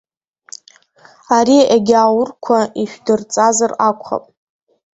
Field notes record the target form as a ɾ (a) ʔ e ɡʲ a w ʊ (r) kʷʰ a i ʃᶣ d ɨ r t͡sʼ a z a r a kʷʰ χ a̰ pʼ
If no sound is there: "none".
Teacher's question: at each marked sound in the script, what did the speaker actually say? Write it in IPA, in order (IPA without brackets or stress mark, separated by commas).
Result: i, r